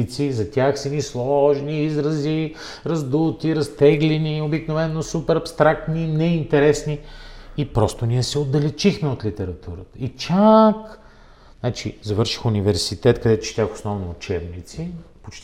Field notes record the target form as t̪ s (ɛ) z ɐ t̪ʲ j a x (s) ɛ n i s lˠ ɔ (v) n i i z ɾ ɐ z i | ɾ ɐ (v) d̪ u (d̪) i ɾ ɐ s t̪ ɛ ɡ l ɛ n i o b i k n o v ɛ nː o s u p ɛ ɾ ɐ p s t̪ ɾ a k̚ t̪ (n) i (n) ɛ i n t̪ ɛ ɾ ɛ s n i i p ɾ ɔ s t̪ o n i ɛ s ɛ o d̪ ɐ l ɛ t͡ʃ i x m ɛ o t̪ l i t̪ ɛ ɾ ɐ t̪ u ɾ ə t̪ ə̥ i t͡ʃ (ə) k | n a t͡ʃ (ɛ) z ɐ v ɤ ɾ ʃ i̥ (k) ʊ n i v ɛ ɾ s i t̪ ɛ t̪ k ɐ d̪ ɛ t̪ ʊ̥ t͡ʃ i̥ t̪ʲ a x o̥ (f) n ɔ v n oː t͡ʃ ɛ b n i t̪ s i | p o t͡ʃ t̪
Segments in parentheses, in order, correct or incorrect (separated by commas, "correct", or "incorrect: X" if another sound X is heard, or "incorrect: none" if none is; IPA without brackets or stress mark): incorrect: i, correct, incorrect: ʒ, incorrect: z, incorrect: t̪, correct, correct, incorrect: a, incorrect: i, incorrect: x, incorrect: s